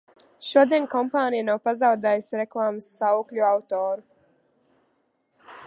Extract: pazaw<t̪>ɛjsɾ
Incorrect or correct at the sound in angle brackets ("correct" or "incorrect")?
incorrect